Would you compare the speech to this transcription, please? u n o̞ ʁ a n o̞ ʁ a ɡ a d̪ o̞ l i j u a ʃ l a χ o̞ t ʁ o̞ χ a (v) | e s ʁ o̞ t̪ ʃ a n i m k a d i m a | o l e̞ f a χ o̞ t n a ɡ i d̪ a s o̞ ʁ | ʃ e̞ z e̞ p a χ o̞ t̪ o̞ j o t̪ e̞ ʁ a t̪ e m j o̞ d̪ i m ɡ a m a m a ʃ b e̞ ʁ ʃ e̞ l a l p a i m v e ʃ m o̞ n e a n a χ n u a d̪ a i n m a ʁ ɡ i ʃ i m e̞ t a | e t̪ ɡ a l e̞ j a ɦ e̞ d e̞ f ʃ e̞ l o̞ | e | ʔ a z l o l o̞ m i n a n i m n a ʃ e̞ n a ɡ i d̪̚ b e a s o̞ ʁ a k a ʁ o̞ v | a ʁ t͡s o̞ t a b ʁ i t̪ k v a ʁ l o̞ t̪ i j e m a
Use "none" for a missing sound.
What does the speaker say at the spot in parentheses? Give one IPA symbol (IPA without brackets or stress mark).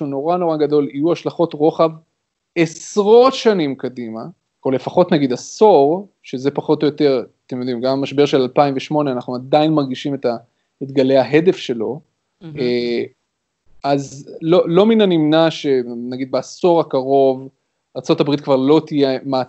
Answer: v